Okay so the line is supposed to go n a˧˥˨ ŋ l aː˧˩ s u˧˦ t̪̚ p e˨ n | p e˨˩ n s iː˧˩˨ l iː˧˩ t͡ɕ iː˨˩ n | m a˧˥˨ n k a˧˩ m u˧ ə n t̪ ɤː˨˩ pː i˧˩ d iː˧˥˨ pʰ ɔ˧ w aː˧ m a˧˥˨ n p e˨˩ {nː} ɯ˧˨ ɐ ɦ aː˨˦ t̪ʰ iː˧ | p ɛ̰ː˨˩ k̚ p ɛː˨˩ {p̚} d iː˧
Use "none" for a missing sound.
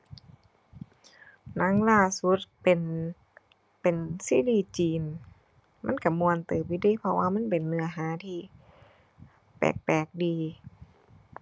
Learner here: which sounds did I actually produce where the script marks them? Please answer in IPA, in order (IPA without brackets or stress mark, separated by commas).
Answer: nː, k̚